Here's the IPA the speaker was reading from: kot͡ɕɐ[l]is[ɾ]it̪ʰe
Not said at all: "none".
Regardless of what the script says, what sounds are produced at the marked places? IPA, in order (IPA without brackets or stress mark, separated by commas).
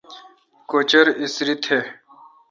ɾ, ɾ